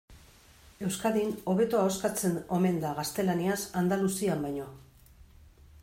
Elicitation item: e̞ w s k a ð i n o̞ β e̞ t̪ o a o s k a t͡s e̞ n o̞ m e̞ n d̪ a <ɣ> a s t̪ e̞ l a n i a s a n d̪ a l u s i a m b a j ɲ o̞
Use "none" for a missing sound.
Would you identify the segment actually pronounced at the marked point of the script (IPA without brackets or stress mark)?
ɣ